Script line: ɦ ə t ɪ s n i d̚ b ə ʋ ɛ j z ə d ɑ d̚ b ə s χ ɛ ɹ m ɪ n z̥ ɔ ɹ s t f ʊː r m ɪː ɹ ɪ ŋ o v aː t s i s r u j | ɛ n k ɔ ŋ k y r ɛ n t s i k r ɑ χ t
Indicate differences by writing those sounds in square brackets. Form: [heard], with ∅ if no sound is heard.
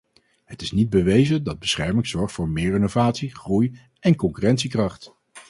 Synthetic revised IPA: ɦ ə t ɪ s n i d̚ b ə ʋ [e] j z ə d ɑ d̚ b ə s χ ɛ ɹ m ɪ [ŋ] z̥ ɔ ɹ [χ] t f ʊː [ɹ] m ɪː ɹ ɪ [n] o v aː t s i [χ] r u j | ɛ n k ɔ ŋ k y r ɛ n t s i k r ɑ χ t

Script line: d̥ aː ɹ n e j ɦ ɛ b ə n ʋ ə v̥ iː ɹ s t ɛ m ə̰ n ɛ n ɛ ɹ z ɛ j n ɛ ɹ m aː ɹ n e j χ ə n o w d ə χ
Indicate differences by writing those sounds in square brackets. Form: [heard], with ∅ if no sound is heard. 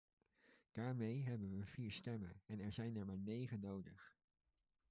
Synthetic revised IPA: d̥ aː ɹ [m] e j ɦ ɛ b ə n ʋ ə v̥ iː ɹ s t ɛ m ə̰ n ɛ n ɛ ɹ z ɛ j n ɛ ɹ m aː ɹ n e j χ ə n o w d ə χ

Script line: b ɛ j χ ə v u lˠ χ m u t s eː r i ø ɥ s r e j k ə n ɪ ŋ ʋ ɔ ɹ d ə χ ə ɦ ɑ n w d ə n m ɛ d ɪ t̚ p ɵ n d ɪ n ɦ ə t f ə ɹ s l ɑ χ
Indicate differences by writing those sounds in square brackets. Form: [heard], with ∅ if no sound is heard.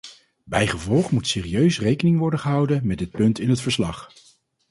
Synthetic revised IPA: b ɛ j χ ə v [ɔ] lˠ χ m u t s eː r i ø ɥ s r e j k ə n ɪ ŋ ʋ ɔ ɹ d ə χ ə ɦ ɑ [∅] w d ə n m ɛ d ɪ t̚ p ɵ n [t] ɪ n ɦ ə t f ə ɹ s l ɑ χ

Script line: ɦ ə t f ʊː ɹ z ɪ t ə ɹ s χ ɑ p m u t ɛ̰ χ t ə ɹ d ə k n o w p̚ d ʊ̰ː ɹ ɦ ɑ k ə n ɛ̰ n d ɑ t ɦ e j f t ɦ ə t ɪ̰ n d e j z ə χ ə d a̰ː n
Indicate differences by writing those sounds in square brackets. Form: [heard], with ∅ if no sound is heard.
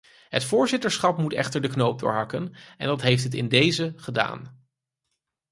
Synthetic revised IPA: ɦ ə t f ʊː ɹ z ɪ t ə ɹ s χ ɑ p m u t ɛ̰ χ t ə ɹ d ə k n o w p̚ d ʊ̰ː ɹ ɦ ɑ k ə n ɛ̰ n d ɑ t ɦ e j f t ɦ ə t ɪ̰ n d e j z ə χ ə d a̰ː n

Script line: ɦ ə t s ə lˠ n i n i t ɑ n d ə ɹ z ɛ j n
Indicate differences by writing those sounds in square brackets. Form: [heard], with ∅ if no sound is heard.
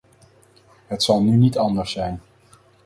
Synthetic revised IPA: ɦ ə t s [ɑ] lˠ n [y] n i t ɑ n d ə ɹ [s] ɛ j n

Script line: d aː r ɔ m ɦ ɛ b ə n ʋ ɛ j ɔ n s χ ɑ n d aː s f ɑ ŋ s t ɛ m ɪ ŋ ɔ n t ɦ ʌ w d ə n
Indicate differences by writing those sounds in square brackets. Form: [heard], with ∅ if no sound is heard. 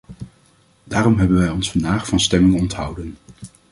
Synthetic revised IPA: d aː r ɔ m ɦ ɛ b ə n ʋ ɛ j ɔ n s [f] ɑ n d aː [χ] f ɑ [n] s t ɛ m ɪ ŋ ɔ n t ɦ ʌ w d ə n

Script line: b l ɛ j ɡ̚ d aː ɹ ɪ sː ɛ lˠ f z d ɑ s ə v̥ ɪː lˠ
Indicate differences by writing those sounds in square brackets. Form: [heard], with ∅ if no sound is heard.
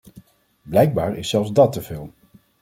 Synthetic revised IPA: b l ɛ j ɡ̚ [b] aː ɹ ɪ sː ɛ lˠ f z d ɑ [t] ə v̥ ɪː lˠ

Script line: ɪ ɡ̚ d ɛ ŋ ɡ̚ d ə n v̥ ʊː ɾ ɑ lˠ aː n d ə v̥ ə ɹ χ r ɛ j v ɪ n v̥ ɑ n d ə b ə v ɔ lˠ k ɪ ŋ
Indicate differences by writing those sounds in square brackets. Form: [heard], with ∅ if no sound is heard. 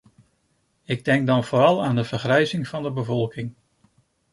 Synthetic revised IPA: ɪ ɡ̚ d ɛ ŋ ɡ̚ d [ɑ] n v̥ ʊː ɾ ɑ lˠ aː n d ə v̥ ə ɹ χ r ɛ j [z] ɪ [ŋ] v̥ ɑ n d ə b ə v ɔ lˠ k ɪ ŋ

